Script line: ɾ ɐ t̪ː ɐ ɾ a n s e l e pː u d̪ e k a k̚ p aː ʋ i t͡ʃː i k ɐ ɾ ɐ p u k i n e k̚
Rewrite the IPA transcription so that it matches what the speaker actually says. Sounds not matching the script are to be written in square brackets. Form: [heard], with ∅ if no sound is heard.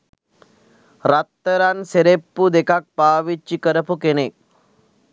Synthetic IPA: ɾ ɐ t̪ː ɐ ɾ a n s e [ɾ] e pː u d̪ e k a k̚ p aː ʋ i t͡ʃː i k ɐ ɾ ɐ p u k [e] n e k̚